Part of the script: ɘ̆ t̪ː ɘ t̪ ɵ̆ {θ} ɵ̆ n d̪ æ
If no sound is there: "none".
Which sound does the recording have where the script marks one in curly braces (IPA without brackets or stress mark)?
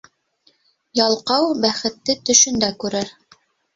ʃ